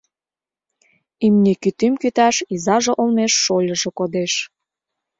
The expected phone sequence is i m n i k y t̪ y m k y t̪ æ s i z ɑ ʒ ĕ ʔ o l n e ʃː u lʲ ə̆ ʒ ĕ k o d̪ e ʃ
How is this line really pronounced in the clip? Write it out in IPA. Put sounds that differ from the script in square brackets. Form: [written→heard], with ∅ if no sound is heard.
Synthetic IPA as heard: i m n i k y t̪ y m k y t̪ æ [s→ʃ] i z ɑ ʒ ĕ ʔ o l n e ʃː [u→o] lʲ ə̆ ʒ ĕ k o d̪ e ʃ